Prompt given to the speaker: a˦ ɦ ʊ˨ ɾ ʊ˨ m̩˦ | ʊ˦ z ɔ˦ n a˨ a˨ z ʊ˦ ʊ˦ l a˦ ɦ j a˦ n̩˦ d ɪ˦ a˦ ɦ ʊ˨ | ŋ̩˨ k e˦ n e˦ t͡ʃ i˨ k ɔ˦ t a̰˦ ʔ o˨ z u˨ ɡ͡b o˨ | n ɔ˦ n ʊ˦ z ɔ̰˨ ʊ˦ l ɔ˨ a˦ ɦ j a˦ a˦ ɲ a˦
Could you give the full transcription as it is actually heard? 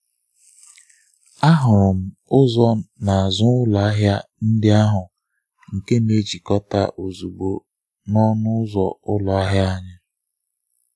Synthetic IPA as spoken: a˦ ɦ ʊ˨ ɾ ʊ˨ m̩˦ | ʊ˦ z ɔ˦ n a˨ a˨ z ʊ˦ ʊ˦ l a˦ ɦ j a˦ n̩˦ d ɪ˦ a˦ ɦ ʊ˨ | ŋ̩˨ k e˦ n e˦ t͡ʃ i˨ k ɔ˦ t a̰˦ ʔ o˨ z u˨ ɡ͡b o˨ | n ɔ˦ n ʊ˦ z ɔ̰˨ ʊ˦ l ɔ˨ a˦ ɦ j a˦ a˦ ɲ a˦